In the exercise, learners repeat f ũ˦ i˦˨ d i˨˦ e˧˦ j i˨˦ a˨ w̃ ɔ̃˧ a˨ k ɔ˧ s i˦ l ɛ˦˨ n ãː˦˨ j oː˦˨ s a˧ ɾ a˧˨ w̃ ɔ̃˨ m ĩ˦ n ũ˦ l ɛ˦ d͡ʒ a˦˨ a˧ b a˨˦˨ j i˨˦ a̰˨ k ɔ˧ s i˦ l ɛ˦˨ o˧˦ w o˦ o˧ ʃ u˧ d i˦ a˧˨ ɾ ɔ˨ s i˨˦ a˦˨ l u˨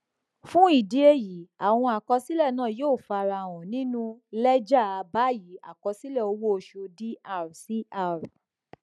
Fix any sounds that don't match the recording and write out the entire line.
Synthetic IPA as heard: f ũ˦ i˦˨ d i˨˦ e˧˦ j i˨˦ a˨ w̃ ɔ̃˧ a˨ k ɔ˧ s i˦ l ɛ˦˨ n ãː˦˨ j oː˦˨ f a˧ ɾ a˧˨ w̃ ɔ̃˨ n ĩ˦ n ũ˦ l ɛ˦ d͡ʒ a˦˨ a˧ b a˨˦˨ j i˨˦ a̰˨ k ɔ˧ s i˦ l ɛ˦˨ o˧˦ w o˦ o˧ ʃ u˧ d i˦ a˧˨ ɾ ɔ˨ s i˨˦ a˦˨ ɾ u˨